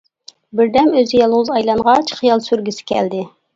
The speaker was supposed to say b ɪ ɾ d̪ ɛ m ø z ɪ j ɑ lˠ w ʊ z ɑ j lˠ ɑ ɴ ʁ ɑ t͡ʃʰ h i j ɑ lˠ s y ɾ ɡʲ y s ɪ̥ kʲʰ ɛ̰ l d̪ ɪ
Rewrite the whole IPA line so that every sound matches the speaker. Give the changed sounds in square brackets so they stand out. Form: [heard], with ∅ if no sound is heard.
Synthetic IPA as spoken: b ɪ ɾ d̪ ɛ m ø z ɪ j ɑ lˠ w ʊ z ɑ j lˠ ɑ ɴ ʁ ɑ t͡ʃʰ [χ] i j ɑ lˠ s y ɾ ɡʲ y s ɪ̥ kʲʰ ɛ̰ l d̪ ɪ

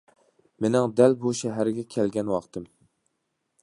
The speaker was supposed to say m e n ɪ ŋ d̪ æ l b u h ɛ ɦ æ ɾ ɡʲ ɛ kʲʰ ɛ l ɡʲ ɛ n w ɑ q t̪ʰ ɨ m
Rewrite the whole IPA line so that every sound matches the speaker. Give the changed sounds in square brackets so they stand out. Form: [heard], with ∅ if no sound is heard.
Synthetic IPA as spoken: m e n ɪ ŋ d̪ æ l b u [ʃ] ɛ ɦ æ ɾ ɡʲ ɛ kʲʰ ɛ l ɡʲ ɛ n w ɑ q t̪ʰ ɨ m

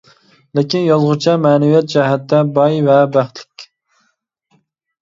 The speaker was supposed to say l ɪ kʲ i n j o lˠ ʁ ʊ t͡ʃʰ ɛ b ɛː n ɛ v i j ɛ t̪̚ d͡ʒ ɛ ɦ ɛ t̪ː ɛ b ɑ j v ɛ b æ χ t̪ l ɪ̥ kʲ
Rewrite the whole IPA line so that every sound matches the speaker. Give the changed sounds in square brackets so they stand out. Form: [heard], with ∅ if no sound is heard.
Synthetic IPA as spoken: l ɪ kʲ i n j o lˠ ʁ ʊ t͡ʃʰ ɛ [m] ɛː n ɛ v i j ɛ t̪̚ d͡ʒ ɛ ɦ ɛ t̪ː ɛ b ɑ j v ɛ b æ χ t̪ l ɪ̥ kʲ

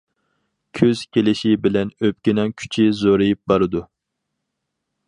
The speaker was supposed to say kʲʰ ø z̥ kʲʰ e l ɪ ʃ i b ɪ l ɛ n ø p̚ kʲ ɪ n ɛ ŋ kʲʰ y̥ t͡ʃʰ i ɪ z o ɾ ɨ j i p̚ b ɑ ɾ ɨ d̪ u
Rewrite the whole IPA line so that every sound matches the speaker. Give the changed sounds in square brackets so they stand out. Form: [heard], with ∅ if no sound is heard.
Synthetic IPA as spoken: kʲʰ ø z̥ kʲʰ e l ɪ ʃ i b ɪ l ɛ n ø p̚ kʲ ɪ n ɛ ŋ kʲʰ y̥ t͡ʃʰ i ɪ z o ɾ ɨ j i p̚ b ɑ ɾ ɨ d̪ u

